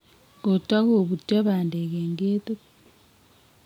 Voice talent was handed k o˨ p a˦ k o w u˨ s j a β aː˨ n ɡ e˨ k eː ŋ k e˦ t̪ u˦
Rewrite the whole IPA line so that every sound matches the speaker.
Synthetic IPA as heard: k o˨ t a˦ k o β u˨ t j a β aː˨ n d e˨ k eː ŋ ɡ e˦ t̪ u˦